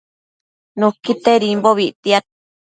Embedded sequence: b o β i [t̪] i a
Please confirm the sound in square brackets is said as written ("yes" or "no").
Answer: yes